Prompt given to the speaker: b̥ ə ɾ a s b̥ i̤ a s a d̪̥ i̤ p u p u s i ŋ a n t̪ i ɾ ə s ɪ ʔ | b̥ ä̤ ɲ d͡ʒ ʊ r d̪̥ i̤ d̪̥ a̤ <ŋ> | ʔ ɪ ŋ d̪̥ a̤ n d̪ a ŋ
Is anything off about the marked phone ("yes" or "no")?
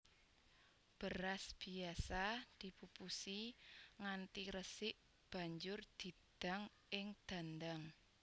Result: no